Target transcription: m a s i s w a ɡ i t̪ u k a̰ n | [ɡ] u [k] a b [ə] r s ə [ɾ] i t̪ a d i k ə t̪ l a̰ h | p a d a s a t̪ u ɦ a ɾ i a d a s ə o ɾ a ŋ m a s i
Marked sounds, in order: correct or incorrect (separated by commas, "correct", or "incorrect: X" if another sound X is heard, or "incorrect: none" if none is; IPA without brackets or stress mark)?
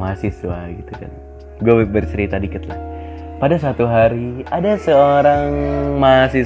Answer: correct, incorrect: none, correct, correct